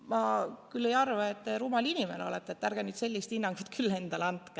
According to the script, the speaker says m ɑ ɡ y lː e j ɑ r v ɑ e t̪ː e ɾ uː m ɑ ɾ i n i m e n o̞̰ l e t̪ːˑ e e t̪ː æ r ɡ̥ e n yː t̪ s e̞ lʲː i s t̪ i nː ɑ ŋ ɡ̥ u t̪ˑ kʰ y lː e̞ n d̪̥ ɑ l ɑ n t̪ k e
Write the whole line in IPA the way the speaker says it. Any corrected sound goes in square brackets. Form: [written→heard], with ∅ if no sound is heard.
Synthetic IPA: m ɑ [ɡ→k] y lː e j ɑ r v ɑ e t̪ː e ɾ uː m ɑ [ɾ→l] i n i m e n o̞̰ l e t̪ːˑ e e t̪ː æ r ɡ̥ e n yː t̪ s e̞ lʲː i s t̪ i nː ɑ ŋ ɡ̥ u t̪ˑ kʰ y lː e̞ n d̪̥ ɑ l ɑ n t̪ k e